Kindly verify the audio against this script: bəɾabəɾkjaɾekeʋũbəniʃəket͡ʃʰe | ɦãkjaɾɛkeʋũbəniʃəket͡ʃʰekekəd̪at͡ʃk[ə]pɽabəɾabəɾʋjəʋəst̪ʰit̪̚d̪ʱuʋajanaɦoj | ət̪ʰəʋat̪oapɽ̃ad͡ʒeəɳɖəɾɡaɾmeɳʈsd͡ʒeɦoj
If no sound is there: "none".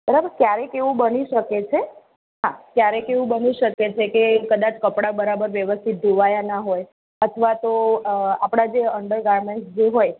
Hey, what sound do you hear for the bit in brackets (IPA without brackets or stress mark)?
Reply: ə